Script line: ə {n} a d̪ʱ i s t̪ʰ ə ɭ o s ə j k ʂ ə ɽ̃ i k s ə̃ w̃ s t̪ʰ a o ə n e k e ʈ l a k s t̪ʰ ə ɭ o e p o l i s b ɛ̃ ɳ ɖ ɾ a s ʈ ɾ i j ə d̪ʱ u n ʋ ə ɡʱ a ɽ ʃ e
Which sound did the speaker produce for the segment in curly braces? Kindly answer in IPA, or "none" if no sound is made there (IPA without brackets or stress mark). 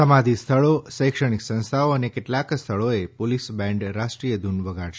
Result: m